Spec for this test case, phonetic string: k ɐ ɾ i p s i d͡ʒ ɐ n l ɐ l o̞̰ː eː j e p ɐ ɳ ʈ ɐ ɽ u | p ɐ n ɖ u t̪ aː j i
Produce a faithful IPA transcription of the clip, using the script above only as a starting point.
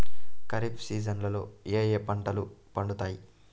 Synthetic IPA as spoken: k ɐ ɾ i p s iː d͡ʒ ɐ n l ɐ l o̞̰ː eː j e p ɐ ɳ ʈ ɐ l u | p ɐ ɳ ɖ u t̪ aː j i